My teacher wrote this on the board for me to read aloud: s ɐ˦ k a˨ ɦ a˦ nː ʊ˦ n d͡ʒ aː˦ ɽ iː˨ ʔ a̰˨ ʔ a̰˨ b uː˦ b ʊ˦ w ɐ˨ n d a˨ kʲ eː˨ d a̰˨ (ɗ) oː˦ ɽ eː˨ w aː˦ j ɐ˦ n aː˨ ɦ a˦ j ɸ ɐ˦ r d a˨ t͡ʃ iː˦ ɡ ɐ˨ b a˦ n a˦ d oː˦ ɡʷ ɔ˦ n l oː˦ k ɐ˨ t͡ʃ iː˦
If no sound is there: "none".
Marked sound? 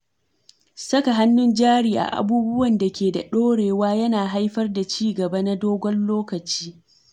ɗ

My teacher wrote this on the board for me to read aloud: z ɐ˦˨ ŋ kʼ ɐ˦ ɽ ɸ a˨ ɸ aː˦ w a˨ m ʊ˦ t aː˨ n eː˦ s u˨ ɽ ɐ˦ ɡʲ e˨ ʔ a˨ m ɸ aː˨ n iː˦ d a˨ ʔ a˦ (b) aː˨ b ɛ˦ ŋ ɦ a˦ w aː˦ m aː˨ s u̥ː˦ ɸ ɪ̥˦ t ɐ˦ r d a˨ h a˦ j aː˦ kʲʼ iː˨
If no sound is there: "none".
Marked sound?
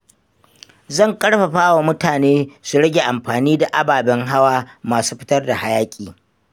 b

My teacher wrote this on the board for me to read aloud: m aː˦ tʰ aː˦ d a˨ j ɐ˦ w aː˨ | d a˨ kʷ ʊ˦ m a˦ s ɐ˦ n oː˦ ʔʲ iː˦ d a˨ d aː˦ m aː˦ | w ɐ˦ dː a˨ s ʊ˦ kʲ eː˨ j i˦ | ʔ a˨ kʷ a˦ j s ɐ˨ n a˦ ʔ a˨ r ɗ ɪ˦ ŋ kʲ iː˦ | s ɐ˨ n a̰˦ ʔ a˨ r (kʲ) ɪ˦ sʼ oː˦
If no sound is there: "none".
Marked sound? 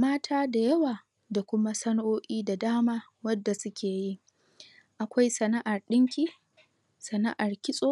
kʲ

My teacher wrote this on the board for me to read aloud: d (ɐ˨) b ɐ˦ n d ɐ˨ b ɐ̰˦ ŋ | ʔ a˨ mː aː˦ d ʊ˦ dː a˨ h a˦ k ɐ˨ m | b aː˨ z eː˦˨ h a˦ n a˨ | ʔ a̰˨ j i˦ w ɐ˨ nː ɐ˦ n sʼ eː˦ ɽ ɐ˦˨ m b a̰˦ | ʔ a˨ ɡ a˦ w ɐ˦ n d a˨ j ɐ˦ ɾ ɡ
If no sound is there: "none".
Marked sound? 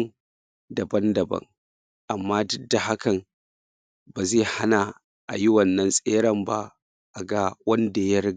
ɐ˨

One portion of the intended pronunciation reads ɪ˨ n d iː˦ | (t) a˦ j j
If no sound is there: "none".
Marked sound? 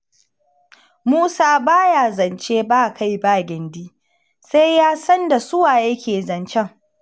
s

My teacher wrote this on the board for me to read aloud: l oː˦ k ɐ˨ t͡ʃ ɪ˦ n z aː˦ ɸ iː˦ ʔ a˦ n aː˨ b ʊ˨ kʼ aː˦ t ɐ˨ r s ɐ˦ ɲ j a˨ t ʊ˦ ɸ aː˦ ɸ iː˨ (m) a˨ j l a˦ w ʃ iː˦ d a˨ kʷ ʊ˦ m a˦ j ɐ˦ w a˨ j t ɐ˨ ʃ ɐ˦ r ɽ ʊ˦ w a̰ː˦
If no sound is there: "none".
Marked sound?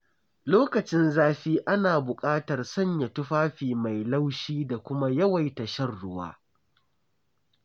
m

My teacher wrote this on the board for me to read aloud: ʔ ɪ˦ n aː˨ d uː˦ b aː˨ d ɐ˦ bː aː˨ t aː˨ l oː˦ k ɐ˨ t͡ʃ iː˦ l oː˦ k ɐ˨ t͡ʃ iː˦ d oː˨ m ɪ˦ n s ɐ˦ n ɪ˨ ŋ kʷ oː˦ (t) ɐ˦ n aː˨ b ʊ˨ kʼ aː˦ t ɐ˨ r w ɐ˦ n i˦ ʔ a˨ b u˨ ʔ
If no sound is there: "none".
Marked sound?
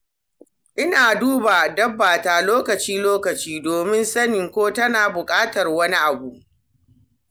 t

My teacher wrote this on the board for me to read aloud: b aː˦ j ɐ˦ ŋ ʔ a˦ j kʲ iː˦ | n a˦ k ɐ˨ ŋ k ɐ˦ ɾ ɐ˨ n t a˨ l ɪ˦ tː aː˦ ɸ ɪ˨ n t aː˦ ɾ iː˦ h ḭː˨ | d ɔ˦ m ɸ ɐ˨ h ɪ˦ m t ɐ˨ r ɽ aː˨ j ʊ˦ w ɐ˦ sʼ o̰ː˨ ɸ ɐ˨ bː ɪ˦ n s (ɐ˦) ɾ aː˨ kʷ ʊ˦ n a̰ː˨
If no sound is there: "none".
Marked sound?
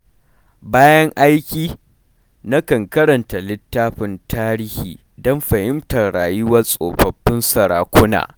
ɐ˨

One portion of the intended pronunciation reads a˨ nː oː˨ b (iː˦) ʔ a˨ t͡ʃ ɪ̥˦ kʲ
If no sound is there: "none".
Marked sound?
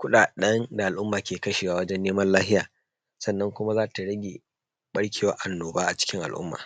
aː˦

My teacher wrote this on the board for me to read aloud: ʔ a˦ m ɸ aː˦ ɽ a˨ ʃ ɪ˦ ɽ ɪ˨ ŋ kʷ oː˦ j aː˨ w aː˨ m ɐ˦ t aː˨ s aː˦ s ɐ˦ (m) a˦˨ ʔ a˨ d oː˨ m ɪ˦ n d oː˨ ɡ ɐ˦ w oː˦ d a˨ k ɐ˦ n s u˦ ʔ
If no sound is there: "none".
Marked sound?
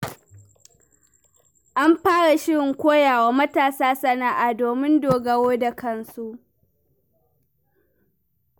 n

